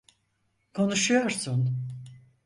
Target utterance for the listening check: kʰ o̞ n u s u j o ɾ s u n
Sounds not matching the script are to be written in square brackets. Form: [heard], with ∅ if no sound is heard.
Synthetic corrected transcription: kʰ o̞ n u [ʃ] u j o ɾ s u n